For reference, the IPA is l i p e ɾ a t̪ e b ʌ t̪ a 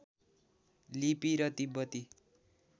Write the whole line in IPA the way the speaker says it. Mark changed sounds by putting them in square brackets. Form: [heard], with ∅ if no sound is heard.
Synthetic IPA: l i p [i] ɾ [ʌ] t̪ [i] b ʌ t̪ [i]